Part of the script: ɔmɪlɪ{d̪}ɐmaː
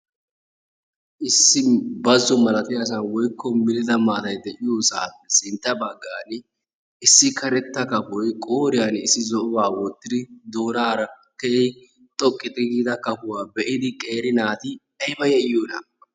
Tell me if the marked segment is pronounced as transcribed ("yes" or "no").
yes